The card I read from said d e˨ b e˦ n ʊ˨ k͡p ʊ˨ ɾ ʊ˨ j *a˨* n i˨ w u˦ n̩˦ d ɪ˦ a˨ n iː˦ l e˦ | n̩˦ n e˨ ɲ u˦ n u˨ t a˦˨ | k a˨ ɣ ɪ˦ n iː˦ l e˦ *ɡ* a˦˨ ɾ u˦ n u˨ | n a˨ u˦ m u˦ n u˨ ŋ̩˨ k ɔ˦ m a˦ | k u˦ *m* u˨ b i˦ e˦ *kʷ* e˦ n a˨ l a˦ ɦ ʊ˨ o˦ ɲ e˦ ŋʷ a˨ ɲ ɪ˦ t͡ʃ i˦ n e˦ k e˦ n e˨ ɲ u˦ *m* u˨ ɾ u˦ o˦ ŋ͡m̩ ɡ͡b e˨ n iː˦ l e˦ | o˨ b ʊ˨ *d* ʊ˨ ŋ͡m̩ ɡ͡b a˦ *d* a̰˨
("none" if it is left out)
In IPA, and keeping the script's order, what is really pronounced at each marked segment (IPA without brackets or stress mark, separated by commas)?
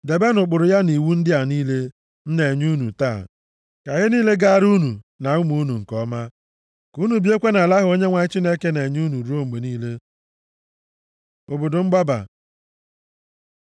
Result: a˦, ɡ, n, kʷ, n, d, b